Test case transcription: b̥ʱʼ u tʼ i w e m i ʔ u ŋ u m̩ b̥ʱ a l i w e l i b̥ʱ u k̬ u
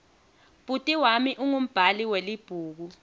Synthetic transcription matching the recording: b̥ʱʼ u tʼ i w a m i ʔ u ŋ u m̩ b̥ʱ a l i w e l i b̥ʱ uː k̬ u